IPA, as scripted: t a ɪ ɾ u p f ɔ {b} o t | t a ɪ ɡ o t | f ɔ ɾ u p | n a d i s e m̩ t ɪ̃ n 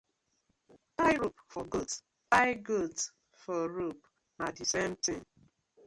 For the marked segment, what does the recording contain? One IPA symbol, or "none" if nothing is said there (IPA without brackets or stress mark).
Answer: ɡ